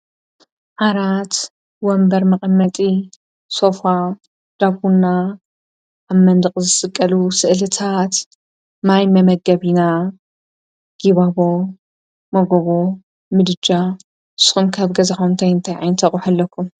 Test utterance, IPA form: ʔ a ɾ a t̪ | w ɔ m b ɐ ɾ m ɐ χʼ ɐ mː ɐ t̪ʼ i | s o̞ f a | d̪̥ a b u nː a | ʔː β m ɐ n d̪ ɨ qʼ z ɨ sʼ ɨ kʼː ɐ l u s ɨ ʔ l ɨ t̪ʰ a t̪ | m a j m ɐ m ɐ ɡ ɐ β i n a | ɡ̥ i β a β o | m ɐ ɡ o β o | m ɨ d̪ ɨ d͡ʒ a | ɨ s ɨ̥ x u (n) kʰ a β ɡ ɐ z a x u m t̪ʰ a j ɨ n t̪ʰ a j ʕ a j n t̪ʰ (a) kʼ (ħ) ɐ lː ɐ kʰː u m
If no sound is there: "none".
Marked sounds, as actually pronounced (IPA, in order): m, ɐ, ħ

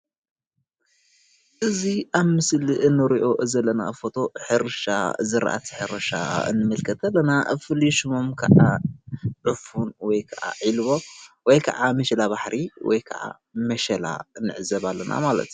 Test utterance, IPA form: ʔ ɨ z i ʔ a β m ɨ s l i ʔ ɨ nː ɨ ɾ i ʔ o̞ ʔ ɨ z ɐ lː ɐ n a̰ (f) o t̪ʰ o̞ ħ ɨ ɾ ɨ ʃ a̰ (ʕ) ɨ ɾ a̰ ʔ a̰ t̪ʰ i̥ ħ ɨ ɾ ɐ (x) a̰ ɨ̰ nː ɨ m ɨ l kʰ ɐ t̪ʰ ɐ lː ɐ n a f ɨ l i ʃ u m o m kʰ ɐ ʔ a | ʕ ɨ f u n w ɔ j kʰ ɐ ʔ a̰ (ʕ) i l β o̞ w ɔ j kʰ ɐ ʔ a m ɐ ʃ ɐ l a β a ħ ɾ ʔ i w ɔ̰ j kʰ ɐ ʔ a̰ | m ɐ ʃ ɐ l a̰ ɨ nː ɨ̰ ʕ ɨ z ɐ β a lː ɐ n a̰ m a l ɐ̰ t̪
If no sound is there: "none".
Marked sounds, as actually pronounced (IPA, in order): f, z, ʃ, ʕ

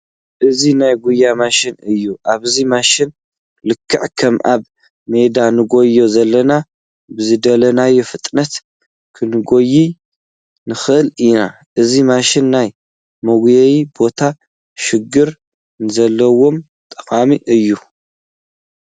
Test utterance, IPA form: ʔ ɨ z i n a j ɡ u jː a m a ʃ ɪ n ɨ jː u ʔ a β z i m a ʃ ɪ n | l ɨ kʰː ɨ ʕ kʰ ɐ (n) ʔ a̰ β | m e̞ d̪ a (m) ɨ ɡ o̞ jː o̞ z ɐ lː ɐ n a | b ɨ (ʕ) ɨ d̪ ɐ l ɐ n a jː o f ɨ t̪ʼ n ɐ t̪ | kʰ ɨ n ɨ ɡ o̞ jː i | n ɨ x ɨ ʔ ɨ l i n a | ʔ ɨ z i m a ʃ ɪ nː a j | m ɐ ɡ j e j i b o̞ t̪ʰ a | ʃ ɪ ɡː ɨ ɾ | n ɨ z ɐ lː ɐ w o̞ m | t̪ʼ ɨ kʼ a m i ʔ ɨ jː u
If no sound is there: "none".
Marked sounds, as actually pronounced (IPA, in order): m, n, z

